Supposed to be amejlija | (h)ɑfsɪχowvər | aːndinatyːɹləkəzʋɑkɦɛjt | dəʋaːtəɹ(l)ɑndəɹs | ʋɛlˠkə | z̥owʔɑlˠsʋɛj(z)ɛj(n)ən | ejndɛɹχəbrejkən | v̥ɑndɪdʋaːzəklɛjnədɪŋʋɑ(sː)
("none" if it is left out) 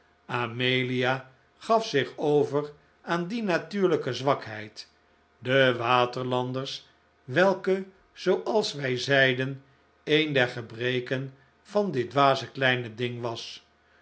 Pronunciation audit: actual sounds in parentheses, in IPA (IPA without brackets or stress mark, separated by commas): χ, l, z, d, s